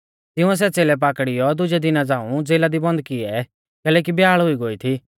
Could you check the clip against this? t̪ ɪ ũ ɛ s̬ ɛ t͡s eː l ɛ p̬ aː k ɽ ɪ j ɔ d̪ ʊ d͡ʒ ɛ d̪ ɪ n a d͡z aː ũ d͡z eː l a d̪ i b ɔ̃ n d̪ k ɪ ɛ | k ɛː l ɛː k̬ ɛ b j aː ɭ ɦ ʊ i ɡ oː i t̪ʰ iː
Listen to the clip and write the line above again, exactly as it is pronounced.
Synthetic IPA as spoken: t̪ ɪ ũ ɛ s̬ ɛ t͡s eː l ɛ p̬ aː k ɽ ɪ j ɔ d̪ ʊ d͡ʒ ɛ d̪ ɪ n a d͡z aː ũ d͡z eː l a d̪ i b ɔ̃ n d̪ k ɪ ɛ | k ɛː l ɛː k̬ i b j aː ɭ ɦ ʊ i ɡ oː i t̪ʰ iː